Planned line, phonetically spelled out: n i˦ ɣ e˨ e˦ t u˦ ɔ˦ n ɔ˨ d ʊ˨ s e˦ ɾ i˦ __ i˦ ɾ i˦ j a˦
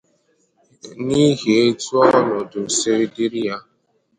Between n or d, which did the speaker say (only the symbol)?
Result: d